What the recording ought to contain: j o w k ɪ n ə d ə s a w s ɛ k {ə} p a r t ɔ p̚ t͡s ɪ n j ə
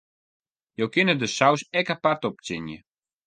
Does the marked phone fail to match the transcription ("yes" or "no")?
yes